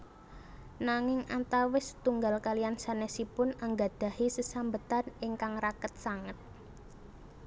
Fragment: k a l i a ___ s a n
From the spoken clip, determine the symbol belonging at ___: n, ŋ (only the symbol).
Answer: n